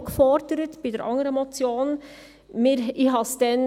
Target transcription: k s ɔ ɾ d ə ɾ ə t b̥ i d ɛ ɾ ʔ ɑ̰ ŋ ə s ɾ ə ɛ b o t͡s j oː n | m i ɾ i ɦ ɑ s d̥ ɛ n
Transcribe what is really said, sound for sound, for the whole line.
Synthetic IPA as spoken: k f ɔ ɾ d ə ɾ ə t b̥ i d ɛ ɾ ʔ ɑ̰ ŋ ə ɾ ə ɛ m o t͡s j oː n | m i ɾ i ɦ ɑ s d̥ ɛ n